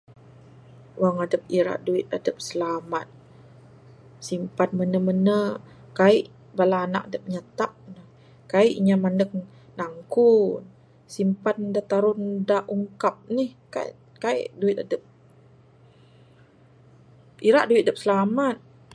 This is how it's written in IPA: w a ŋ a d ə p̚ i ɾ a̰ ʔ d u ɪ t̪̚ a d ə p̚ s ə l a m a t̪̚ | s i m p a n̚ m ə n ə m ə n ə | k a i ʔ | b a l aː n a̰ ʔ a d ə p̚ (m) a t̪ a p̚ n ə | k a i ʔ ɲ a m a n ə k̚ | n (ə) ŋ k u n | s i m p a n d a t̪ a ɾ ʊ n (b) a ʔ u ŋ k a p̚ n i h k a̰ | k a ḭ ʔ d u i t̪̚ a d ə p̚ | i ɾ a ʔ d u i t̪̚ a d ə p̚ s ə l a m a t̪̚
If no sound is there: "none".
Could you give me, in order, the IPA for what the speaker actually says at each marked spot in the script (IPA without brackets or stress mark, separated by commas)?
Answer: ɲ, a, d